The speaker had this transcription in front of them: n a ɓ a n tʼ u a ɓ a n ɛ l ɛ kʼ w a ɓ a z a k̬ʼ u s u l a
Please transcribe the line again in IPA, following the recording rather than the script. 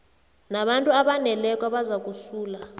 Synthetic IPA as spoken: n a ɓ a n tʼ u a ɓ a n ɛ l ɛ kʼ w a ɓ a z a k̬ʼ u s uː l a